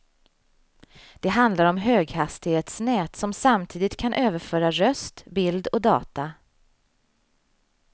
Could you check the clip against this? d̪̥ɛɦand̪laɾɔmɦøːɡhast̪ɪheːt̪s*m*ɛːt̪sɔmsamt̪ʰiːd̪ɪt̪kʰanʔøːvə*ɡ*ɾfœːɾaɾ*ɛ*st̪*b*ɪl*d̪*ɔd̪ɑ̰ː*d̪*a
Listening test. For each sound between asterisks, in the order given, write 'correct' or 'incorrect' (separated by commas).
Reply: incorrect, incorrect, incorrect, correct, correct, incorrect